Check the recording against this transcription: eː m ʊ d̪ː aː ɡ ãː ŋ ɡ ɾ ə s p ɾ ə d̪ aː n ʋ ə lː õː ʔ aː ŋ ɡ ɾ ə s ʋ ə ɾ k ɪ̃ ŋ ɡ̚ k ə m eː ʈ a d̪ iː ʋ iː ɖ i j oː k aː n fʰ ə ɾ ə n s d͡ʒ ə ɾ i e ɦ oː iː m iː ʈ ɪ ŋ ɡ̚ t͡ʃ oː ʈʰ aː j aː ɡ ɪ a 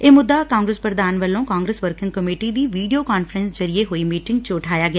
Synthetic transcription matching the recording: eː m ʊ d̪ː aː k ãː ŋ ɡ ɾ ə s p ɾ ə d̪ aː n ʋ ə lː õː k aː ŋ ɡ ɾ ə s ʋ ə ɾ k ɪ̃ ŋ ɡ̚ k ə m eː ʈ i d̪ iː ʋ iː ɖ i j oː k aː n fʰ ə ɾ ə n s d͡ʒ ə ɾ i e ɦ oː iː m iː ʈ ɪ ŋ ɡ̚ t͡ʃ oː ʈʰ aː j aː ɡ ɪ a